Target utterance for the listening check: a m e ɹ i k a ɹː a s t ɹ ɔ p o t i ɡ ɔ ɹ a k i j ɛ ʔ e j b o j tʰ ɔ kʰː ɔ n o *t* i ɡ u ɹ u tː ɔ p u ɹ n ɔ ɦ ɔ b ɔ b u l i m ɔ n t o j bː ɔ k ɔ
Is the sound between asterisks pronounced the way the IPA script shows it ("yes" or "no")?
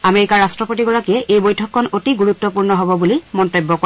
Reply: yes